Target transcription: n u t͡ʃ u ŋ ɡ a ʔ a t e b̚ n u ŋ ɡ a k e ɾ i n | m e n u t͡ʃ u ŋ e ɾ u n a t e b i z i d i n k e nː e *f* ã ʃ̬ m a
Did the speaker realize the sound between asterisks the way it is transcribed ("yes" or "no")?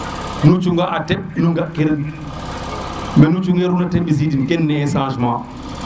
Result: no